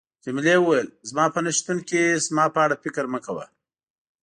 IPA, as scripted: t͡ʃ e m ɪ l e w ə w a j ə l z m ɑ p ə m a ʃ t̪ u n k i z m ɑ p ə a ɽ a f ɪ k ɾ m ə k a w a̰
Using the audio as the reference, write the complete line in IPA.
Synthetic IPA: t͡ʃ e m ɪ l e w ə w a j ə l z m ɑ p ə n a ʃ t̪ u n k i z m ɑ p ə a ɽ a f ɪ k ɾ m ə k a w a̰